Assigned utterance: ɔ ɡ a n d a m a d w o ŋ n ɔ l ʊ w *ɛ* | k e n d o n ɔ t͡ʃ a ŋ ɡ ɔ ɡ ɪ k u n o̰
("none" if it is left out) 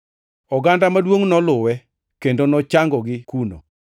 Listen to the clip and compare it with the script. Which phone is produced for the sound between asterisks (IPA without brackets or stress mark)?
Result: ɛ